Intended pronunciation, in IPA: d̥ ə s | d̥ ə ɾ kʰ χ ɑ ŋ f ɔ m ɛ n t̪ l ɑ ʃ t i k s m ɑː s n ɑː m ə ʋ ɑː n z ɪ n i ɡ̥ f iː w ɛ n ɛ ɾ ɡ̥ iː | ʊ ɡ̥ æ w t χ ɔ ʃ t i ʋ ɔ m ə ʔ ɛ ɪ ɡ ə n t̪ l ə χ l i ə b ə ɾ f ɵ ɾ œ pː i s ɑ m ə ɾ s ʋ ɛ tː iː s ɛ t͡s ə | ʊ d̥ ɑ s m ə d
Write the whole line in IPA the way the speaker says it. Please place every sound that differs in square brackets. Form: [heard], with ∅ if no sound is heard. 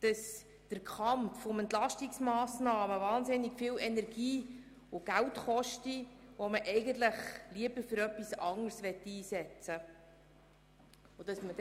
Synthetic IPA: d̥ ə s | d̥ ə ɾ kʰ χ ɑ [m] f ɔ m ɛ n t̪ l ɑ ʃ t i k s m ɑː s n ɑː m ə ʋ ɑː n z ɪ n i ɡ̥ f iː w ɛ n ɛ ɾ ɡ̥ iː | ʊ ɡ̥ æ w t χ ɔ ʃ t i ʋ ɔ m ə ʔ ɛ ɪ ɡ ə n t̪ l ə χ l i ə b ə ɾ f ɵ ɾ œ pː i s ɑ [ŋ] ə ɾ s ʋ ɛ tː iː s ɛ t͡s ə | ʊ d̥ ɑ s m ə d